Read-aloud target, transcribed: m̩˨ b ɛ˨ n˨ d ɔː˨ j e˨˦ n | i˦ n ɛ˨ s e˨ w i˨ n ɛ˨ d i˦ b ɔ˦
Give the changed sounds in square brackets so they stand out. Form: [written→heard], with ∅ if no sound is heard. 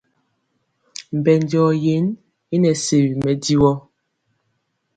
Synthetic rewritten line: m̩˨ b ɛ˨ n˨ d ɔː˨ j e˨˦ n | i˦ n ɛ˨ s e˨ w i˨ [n→m] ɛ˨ d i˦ [b→w] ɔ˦